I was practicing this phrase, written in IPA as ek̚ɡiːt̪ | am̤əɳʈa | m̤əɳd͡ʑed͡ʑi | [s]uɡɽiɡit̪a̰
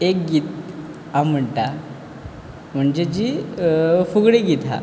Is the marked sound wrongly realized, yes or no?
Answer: yes